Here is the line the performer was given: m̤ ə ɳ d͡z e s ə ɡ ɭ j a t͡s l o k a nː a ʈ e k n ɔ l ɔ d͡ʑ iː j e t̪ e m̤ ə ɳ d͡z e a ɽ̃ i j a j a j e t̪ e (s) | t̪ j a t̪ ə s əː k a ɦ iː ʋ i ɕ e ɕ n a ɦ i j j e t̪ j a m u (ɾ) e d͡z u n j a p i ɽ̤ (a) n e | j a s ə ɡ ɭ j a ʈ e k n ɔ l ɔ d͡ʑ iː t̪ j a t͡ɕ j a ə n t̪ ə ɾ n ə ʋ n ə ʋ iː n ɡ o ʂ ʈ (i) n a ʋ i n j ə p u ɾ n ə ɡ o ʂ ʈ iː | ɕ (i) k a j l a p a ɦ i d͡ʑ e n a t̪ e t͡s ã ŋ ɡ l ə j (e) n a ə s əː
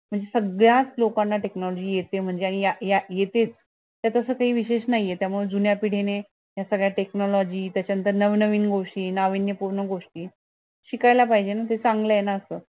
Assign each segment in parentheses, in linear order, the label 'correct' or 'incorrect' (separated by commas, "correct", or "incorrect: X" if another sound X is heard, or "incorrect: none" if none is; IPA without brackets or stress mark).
incorrect: t͡s, incorrect: ɭ, incorrect: e, incorrect: iː, correct, correct